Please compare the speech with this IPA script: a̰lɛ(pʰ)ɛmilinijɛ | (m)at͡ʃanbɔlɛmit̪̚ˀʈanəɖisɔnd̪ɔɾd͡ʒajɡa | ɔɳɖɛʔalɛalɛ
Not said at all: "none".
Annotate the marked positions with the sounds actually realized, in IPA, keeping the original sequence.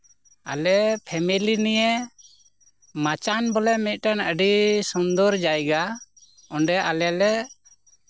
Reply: pʰ, m

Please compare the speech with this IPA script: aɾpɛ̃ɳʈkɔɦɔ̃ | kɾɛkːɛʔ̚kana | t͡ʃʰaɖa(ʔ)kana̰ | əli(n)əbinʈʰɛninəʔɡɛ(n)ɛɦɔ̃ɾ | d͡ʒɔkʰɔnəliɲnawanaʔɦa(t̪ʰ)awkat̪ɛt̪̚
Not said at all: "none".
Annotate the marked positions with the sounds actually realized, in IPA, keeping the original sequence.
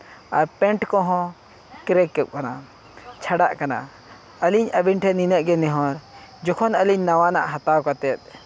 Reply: ʔ, ɲ, n, t̪

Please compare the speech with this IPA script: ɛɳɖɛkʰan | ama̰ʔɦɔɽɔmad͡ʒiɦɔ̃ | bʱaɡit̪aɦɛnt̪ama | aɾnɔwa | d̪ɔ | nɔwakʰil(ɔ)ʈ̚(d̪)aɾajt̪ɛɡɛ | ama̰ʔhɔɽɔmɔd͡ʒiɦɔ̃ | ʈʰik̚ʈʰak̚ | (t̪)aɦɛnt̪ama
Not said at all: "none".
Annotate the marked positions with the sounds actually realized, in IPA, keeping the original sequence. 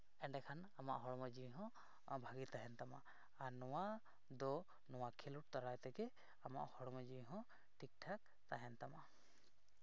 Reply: u, t̪, t̪

